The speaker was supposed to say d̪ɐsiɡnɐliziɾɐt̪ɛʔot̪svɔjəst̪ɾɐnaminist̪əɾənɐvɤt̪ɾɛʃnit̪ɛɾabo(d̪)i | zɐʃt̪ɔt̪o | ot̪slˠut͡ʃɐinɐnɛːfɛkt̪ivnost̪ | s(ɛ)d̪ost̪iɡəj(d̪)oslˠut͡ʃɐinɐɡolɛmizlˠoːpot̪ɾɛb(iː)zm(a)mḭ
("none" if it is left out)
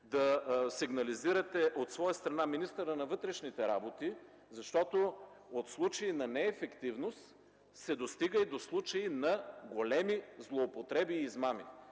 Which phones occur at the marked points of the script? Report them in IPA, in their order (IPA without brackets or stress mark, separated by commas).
t̪, ɛ, d̪, iː, a